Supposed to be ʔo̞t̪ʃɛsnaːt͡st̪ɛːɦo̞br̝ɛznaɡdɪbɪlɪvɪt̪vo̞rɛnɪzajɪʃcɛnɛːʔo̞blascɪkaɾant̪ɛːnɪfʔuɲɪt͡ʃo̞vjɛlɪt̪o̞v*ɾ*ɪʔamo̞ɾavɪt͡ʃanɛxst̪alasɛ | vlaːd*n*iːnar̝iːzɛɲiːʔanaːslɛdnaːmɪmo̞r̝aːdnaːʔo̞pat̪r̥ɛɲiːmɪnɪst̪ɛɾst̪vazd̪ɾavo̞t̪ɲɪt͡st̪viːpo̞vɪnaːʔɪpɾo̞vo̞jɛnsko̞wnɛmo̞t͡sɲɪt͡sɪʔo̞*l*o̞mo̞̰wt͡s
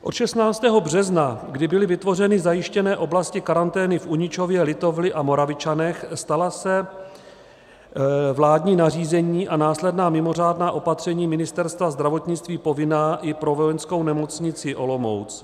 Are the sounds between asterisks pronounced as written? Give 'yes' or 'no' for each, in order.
no, no, yes

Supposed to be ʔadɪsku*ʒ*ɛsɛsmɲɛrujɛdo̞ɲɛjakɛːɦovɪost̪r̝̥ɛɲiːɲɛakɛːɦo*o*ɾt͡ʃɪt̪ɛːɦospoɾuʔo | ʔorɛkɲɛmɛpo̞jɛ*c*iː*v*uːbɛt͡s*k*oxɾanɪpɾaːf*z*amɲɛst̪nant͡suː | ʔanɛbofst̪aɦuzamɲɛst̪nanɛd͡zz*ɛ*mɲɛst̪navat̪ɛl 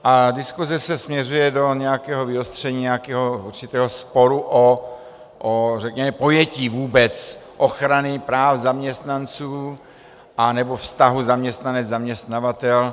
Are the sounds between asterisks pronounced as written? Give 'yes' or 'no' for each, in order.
no, no, yes, yes, no, yes, no

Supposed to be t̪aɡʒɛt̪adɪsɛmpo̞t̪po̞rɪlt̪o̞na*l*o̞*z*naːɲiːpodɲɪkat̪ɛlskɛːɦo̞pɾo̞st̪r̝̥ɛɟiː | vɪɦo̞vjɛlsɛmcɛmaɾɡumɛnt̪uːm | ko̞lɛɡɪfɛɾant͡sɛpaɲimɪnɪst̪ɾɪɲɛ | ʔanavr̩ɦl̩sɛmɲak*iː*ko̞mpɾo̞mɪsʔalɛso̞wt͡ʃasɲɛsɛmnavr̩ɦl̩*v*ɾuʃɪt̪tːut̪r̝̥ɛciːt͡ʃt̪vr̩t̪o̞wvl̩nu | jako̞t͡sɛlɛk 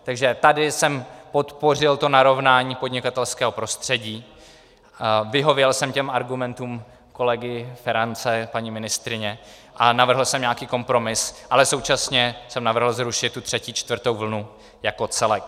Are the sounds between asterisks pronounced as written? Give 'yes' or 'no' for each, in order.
no, no, yes, no

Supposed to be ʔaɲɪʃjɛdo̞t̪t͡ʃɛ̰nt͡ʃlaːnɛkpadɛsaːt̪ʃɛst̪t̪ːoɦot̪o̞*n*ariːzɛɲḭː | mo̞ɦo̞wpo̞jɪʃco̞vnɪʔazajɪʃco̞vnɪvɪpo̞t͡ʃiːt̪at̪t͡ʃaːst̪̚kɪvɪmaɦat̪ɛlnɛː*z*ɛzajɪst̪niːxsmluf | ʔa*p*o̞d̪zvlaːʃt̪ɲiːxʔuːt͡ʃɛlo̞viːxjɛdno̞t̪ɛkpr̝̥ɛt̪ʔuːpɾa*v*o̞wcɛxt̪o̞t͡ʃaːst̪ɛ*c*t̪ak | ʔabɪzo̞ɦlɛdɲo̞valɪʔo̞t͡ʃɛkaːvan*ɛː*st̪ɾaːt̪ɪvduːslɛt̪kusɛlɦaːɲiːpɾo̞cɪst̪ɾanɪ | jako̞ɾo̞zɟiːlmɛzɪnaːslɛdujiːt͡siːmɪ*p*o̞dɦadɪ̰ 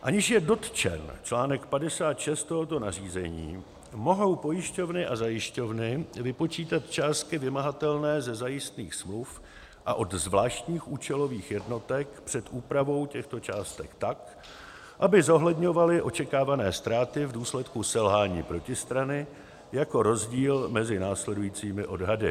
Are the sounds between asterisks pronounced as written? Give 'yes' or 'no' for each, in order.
yes, yes, no, yes, no, yes, no

